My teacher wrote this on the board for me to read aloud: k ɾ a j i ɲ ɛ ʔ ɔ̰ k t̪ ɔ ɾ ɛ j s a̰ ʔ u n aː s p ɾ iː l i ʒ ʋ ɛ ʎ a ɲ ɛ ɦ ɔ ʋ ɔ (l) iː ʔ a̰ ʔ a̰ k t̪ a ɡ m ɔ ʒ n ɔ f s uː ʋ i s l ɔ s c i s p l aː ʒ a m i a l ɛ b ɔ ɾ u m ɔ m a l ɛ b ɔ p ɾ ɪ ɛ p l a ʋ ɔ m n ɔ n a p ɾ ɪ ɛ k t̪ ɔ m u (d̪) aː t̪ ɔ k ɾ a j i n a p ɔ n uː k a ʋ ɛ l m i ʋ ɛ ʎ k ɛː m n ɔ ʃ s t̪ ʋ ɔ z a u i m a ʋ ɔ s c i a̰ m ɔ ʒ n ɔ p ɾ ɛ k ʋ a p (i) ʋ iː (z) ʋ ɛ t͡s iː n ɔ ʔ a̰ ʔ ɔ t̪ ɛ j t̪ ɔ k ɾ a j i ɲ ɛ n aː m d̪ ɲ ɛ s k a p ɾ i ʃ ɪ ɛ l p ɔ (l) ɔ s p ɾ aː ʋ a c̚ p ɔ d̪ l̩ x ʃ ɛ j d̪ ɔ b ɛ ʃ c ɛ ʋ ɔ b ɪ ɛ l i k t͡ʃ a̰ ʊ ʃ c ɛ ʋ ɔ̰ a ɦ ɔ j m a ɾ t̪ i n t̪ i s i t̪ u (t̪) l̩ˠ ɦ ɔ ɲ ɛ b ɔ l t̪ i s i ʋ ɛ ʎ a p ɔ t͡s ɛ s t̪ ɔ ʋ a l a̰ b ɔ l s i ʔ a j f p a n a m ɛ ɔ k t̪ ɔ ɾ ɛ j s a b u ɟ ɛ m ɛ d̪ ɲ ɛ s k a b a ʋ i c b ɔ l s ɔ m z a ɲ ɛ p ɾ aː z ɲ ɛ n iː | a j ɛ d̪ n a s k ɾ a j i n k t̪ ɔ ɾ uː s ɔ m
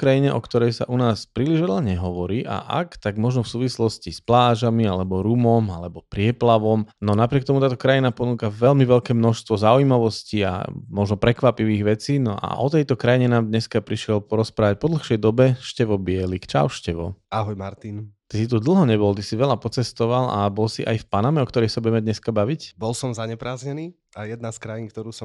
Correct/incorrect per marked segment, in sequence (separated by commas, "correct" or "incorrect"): incorrect, incorrect, correct, incorrect, incorrect, incorrect